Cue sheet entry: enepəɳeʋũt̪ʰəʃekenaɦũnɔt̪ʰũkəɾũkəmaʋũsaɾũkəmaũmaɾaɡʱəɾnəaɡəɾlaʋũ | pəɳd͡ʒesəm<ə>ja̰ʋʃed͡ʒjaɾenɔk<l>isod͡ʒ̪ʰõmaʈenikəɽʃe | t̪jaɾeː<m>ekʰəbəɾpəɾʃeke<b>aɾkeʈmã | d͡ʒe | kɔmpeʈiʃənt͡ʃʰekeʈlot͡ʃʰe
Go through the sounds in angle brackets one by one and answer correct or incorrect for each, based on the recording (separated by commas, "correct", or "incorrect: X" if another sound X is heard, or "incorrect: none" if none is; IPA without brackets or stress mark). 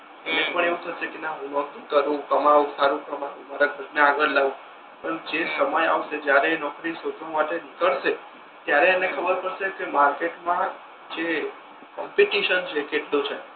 correct, incorrect: ɾ, incorrect: n, incorrect: m